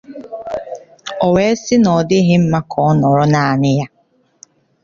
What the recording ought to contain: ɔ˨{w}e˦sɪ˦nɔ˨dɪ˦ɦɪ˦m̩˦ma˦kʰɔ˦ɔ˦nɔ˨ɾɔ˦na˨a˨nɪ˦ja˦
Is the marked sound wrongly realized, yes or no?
no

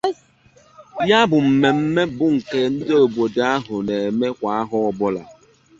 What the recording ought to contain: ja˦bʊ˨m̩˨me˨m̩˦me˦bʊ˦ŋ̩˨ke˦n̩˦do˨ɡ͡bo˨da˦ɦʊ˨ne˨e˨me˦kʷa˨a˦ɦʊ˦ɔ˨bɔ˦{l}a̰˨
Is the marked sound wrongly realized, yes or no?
no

